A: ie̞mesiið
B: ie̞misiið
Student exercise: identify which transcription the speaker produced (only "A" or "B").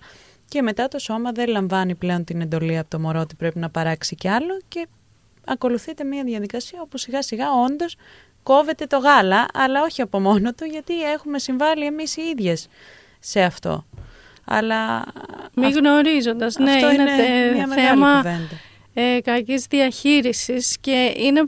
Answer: B